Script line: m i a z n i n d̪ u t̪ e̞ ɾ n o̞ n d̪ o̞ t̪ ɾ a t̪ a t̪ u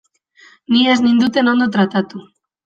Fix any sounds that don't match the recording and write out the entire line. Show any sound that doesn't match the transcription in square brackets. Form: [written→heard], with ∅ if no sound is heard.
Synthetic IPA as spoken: [m→n] i [a→e] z n i n d̪ u t̪ e̞ [ɾ→∅] n o̞ n d̪ o̞ t̪ ɾ a t̪ a t̪ u